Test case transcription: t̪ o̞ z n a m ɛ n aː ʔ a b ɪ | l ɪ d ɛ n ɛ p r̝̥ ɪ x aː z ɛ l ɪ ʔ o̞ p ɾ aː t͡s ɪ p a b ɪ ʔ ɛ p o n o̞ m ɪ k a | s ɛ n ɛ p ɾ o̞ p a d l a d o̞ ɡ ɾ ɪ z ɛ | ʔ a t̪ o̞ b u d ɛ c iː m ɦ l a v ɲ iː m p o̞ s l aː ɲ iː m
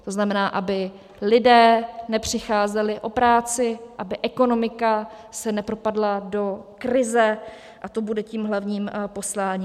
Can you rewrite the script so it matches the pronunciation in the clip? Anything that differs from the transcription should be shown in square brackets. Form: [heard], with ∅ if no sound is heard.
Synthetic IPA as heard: t̪ o̞ z n a m ɛ n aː ʔ a b ɪ | l ɪ d [ɛː] n ɛ p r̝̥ ɪ x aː z ɛ l ɪ ʔ o̞ p ɾ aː t͡s ɪ [ʔ] a b ɪ ʔ ɛ [k] o n o̞ m ɪ k a | s ɛ n ɛ p ɾ o̞ p a d l a d o̞ [k] ɾ ɪ z ɛ | ʔ a t̪ o̞ b u d ɛ c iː m ɦ l a v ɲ iː m p o̞ s l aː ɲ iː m